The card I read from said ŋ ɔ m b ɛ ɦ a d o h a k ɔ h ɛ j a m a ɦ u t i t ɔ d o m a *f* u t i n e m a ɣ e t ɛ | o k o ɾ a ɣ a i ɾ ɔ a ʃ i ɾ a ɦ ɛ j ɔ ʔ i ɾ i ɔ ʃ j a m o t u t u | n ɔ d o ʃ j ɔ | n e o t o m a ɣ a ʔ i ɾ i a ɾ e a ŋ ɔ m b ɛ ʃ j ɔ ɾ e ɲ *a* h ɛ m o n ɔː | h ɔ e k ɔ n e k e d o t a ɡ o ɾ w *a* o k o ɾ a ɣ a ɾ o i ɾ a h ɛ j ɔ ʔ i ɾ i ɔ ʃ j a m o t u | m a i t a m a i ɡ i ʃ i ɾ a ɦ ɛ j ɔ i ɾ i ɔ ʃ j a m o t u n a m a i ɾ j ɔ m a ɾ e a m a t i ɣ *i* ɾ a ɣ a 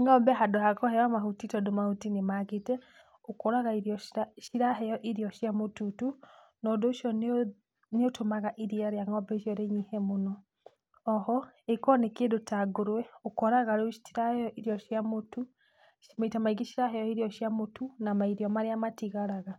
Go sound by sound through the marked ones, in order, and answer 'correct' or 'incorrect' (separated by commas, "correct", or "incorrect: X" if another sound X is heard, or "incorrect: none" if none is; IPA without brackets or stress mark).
incorrect: h, incorrect: i, incorrect: ɛ, incorrect: a